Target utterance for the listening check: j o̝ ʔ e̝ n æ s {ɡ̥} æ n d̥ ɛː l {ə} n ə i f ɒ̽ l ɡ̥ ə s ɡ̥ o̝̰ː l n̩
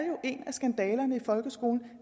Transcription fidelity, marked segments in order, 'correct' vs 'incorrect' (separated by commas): correct, incorrect